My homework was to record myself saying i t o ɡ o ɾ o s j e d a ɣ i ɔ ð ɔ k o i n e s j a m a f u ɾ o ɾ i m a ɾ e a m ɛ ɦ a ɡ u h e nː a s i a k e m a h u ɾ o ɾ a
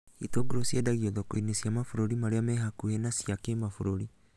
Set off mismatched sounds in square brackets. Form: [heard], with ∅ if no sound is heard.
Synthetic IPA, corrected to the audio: i t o ɡ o ɾ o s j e d a ɣ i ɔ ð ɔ k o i n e s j a m a f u ɾ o ɾ i m a ɾ e a m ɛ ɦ a [k] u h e [n] a s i a k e m a [f] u ɾ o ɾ [i]